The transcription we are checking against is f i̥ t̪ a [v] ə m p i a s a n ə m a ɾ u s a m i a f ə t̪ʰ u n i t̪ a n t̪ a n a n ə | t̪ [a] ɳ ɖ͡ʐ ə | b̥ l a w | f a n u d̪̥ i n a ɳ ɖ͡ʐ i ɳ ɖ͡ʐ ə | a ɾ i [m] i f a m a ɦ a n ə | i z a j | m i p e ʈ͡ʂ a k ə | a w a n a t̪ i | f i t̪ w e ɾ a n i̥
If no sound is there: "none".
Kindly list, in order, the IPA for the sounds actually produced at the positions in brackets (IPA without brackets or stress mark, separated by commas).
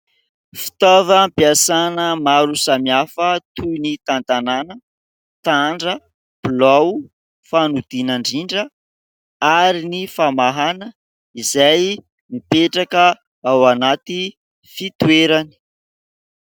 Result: v, a, n